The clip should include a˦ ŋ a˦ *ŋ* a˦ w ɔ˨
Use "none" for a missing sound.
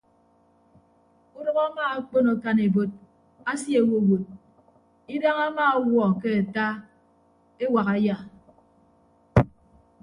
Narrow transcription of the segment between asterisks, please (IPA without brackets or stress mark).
m